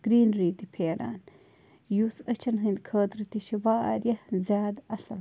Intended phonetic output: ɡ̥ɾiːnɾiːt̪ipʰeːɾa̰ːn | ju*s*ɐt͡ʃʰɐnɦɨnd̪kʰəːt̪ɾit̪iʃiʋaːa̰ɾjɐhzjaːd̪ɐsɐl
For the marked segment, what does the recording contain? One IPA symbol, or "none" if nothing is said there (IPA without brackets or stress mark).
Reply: s